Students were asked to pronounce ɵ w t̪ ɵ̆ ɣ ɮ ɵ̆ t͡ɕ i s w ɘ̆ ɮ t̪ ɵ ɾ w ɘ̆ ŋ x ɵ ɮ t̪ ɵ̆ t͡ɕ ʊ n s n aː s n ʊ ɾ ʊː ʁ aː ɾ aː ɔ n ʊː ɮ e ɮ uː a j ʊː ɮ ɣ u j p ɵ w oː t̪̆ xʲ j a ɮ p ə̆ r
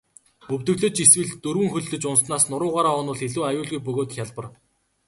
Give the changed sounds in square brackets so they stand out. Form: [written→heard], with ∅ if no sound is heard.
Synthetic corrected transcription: ɵ w t̪ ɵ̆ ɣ ɮ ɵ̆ t͡ɕ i s w ɘ̆ ɮ t̪ ɵ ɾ w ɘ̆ ŋ x ɵ ɮ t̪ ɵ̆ t͡ɕ ʊ n s n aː s n ʊ ɾ ʊː ʁ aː ɾ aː ɔ n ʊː ɮ e ɮ uː a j ʊː ɮ ɣ u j p ɵ [w→ɣ] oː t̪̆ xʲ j a ɮ p ə̆ r